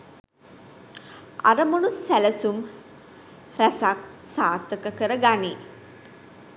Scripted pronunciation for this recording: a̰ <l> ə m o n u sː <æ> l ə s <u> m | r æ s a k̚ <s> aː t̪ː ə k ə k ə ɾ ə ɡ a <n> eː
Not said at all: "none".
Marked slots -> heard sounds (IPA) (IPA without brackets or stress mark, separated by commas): ɾ, æ, u, s, n